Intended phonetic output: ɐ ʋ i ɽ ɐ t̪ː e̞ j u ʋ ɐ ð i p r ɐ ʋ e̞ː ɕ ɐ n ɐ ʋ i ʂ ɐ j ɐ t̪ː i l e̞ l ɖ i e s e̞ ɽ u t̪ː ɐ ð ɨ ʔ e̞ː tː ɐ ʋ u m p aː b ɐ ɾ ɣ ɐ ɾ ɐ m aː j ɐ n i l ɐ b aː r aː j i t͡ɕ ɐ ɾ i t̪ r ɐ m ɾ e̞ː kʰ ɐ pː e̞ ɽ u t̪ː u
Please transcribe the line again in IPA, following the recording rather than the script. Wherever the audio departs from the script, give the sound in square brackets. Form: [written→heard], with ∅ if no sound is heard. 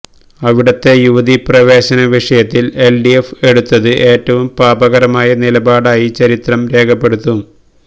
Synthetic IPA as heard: ɐ ʋ i ɽ ɐ t̪ː e̞ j u ʋ ɐ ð i p r ɐ ʋ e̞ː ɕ ɐ n ɐ ʋ i ʂ ɐ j ɐ t̪ː i l e̞ l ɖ i e [s→f] e̞ ɽ u t̪ː ɐ ð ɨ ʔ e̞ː tː ɐ ʋ u m p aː b ɐ [ɾ→∅] ɣ ɐ ɾ ɐ m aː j ɐ n i l ɐ b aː [r→ɽ] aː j i t͡ɕ ɐ ɾ i t̪ r ɐ m ɾ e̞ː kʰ ɐ pː e̞ ɽ u t̪ː u